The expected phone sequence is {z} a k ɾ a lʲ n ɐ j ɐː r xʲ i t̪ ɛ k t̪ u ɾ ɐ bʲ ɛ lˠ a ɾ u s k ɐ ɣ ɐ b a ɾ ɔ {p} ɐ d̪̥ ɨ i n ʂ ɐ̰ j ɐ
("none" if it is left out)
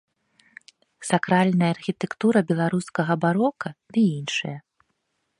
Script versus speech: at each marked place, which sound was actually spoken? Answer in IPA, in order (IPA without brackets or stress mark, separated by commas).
s, k